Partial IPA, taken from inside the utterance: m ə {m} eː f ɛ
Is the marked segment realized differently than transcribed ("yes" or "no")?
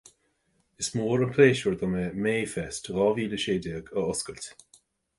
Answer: no